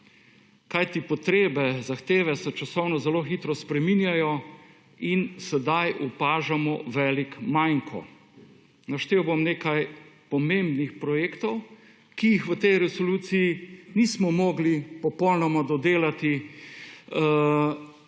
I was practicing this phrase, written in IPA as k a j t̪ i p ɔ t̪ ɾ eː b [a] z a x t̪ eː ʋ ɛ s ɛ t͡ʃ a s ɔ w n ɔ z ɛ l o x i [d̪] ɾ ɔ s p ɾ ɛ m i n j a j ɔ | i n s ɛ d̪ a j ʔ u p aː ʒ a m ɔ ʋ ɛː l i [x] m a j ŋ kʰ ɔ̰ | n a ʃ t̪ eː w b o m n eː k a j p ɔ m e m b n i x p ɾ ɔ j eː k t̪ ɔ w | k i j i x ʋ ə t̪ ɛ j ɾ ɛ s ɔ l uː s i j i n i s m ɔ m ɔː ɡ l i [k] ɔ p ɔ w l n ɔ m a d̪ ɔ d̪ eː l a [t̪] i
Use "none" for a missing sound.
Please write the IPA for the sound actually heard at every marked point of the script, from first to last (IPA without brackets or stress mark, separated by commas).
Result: ɛ, t̪, k, p, t̪